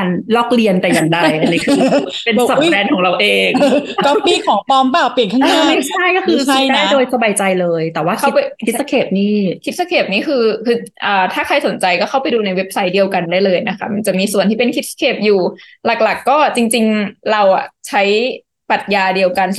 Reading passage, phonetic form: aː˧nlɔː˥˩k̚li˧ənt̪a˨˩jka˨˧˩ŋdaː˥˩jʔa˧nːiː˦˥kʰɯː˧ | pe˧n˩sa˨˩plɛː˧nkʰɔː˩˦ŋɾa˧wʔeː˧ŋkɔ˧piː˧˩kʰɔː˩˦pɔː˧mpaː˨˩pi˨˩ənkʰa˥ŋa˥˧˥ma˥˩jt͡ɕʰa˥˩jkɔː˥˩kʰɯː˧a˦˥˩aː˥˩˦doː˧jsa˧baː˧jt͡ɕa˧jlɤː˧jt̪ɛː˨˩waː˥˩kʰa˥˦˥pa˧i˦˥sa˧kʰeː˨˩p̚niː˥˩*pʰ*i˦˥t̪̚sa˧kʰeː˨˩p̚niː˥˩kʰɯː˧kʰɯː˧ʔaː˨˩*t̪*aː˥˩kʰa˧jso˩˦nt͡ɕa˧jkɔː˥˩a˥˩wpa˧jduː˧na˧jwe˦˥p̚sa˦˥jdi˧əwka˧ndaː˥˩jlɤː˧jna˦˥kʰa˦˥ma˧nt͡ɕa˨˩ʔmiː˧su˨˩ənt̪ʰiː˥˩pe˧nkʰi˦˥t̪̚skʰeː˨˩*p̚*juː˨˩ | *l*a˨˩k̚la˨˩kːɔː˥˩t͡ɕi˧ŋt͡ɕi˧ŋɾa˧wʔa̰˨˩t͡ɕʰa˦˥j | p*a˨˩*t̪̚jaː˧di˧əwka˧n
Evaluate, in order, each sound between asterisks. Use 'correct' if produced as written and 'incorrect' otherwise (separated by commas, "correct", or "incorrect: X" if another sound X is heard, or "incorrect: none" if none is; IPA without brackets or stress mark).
incorrect: kʰ, incorrect: t̪ʰ, correct, correct, correct